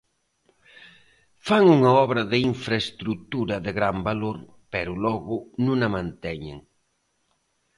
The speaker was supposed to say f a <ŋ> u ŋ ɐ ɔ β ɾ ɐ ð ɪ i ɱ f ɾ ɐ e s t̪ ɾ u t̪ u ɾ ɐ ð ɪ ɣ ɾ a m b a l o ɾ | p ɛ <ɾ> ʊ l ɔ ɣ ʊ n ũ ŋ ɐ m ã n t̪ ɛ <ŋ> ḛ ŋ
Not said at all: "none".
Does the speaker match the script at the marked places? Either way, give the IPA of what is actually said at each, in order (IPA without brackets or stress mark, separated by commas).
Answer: ŋ, ɾ, ɲ